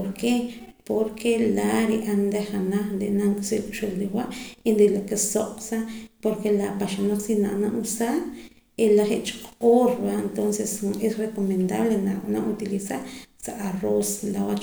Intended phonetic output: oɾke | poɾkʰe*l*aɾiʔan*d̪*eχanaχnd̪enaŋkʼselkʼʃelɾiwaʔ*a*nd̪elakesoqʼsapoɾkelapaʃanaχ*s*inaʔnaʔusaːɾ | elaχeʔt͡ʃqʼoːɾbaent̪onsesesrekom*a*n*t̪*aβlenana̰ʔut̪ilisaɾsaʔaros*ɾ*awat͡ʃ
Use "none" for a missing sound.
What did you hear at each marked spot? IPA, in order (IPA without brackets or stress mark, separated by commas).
l, d̪, i, s, e, d̪, l